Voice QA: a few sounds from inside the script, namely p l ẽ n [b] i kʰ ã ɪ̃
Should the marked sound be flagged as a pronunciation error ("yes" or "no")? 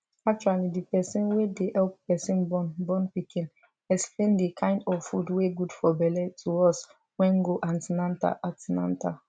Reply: yes